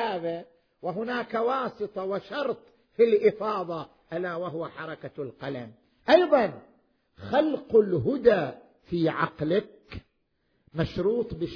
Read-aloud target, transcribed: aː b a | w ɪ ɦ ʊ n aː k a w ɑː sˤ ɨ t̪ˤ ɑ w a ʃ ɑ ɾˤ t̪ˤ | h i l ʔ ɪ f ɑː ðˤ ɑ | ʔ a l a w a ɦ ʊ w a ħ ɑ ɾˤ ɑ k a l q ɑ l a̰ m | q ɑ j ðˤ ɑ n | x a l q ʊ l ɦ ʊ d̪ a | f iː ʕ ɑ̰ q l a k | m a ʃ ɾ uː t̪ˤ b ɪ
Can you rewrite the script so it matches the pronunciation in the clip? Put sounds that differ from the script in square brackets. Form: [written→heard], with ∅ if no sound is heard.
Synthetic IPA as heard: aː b a | w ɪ ɦ ʊ n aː k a w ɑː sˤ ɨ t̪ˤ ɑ w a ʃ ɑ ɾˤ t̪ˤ | [h→f] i l ʔ ɪ f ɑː ðˤ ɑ | ʔ a l a w a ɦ ʊ w a ħ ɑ ɾˤ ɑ k a l q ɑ l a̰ m | [q→ʔ] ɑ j ðˤ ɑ n | x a l q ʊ l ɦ ʊ d̪ a | f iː ʕ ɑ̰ q l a k | m a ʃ ɾ uː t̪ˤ b ɪ